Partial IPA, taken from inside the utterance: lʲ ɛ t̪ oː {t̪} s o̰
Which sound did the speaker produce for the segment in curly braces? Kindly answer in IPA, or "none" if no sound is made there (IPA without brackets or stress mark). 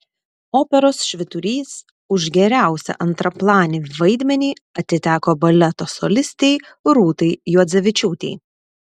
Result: none